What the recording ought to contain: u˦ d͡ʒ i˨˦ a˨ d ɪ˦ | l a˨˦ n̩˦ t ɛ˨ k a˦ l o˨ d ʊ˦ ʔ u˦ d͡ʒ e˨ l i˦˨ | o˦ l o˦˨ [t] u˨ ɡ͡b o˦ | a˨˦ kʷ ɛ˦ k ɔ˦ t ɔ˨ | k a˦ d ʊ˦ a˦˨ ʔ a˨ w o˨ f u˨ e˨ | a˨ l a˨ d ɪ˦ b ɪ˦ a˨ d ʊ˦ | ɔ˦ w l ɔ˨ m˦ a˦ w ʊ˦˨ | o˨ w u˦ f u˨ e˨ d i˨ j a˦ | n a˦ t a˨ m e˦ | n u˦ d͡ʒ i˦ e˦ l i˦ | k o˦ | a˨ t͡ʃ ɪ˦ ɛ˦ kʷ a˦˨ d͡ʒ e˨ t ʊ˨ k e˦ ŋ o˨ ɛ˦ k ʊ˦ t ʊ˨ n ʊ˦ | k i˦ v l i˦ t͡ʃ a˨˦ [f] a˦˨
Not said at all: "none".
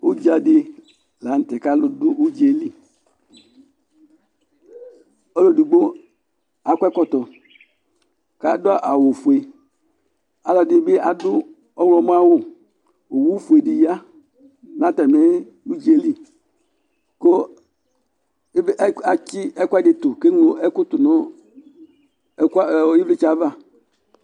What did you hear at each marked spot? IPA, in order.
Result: d, v

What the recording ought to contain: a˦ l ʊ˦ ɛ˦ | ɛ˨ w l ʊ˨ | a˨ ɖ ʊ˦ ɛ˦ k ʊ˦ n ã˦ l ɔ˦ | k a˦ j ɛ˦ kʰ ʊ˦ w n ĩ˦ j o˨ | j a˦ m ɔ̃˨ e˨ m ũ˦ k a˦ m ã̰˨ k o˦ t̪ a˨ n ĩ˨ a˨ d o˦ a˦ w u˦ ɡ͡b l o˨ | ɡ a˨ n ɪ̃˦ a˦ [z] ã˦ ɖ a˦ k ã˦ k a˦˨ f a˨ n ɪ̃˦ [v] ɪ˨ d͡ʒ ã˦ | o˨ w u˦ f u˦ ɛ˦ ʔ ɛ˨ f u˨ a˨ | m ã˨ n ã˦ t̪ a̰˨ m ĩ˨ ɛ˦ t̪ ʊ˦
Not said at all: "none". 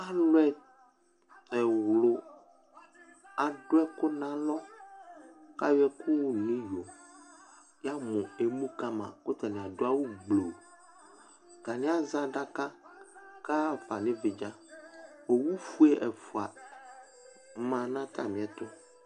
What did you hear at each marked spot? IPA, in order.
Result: z, v

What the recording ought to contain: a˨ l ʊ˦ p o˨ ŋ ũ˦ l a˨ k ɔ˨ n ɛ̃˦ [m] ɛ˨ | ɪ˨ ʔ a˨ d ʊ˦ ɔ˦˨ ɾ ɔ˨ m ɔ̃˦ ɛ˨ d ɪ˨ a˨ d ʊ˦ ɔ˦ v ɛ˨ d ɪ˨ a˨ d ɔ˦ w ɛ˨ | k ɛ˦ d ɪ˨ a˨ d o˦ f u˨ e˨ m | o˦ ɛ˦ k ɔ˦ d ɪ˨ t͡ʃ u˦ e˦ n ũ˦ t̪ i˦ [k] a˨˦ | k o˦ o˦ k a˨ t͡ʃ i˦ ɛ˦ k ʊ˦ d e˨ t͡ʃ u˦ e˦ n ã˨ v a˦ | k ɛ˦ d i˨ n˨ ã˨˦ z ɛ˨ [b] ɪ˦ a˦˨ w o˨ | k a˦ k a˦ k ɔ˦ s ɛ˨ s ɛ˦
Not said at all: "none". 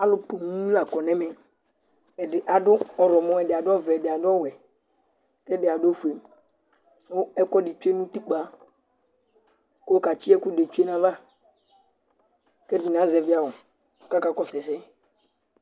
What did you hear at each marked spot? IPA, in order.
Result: m, k͡p, v

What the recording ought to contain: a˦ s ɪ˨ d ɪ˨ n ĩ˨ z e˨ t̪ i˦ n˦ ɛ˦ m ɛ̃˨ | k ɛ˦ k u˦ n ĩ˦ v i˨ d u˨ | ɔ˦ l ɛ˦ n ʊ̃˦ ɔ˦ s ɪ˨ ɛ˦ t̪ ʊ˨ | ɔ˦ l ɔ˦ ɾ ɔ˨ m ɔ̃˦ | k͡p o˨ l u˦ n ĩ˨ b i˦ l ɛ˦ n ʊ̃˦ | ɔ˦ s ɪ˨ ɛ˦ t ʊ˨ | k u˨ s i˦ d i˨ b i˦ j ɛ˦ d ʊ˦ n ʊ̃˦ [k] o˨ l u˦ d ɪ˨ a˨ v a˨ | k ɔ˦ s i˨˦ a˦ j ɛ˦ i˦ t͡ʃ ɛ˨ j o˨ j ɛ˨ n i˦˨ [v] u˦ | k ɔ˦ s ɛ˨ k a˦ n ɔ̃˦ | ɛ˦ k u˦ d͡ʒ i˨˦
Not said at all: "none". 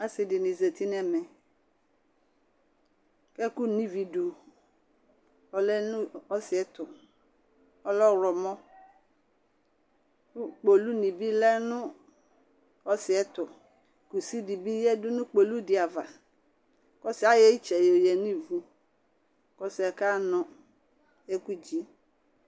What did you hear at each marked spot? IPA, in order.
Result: k͡p, v

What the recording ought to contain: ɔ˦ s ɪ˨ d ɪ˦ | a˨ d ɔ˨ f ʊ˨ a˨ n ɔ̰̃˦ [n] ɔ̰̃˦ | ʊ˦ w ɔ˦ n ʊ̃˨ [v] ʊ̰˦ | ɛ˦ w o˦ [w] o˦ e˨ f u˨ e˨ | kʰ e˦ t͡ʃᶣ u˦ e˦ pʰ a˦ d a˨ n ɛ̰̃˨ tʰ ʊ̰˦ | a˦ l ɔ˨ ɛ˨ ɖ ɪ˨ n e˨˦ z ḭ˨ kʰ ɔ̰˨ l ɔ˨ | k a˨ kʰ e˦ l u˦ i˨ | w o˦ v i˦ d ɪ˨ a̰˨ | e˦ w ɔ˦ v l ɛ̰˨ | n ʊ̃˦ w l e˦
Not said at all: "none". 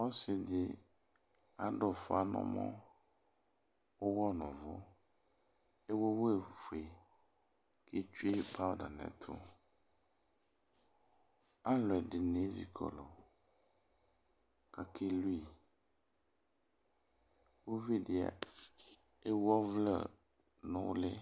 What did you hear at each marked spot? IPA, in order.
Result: m, v, w

